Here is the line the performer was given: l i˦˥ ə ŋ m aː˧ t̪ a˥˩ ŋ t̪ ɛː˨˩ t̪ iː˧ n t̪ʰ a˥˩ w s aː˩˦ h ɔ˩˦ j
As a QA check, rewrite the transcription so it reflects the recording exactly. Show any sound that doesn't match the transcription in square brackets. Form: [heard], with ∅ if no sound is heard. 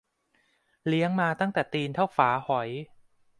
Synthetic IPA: l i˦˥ ə ŋ m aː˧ t̪ a˥˩ ŋ t̪ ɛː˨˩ t̪ iː˧ n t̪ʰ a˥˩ w [f] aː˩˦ h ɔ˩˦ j